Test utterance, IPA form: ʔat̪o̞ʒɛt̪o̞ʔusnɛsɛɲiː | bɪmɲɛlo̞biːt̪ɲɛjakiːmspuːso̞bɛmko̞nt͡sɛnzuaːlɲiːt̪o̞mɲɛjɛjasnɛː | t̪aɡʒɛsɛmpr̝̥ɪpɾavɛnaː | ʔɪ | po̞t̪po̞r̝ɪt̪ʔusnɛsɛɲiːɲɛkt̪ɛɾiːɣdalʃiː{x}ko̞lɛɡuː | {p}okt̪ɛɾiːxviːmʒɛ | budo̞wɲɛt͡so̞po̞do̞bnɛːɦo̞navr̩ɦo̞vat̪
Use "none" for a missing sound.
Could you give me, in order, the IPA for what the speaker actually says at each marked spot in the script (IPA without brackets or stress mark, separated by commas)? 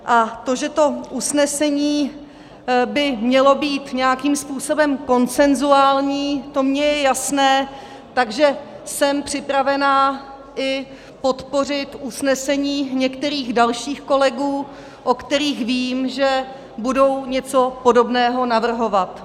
x, ʔ